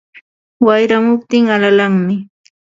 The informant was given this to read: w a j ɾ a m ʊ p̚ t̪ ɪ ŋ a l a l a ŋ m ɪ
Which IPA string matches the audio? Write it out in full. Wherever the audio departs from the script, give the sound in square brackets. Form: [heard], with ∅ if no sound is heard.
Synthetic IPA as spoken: w a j ɾ a m ʊ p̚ t̪ ɪ ŋ a l a l a ŋ m ɪ